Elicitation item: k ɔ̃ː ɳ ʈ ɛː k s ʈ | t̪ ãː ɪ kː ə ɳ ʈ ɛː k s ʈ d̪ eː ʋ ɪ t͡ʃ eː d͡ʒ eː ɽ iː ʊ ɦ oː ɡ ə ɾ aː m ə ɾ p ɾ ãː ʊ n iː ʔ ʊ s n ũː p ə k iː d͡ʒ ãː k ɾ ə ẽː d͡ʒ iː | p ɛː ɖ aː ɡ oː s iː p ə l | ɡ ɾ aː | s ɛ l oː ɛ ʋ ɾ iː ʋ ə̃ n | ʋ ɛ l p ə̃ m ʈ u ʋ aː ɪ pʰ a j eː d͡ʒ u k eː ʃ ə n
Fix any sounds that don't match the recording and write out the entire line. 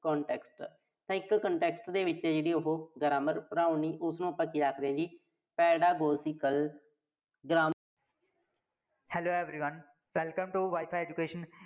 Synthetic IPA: k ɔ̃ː ɳ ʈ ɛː k s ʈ | t̪ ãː ɪ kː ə ɳ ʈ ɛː k s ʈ d̪ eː ʋ ɪ t͡ʃ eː d͡ʒ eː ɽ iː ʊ ɦ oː ɡ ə ɾ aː m ə ɾ p ɾ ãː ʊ n iː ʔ ʊ s n ũː p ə k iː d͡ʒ aː k ɾ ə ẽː d͡ʒ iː | p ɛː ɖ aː ɡ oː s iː k ə l | ɡ ɾ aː | h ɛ l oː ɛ ʋ ɾ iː ʋ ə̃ n | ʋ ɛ l k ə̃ m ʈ u ʋ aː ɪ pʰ a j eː d͡ʒ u k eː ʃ ə n